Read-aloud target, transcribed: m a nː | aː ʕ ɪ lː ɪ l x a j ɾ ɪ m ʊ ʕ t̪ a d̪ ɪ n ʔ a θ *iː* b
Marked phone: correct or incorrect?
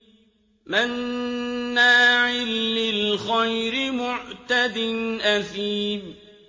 correct